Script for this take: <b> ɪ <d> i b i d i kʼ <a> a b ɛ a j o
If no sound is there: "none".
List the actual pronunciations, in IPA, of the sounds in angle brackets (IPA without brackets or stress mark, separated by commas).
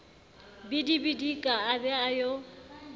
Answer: b, d, a